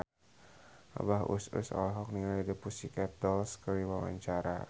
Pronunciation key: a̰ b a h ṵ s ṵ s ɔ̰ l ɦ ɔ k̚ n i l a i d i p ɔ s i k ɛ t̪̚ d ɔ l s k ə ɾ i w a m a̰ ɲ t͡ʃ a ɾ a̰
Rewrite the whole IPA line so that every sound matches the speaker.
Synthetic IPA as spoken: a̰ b a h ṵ s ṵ s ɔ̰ l ɦ ɔ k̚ n i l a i d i p u s i k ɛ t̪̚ d ɔ l s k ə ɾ i w a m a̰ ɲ t͡ʃ a ɾ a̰